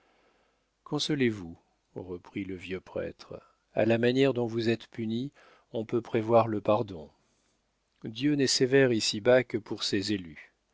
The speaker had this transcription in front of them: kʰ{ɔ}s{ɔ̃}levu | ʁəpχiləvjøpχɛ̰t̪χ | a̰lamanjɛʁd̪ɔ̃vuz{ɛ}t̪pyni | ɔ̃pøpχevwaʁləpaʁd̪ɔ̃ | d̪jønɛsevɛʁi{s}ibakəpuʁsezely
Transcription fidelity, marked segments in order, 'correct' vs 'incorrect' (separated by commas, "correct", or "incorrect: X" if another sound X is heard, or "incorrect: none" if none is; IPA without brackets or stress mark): incorrect: ɔ̃, incorrect: ɔ, correct, correct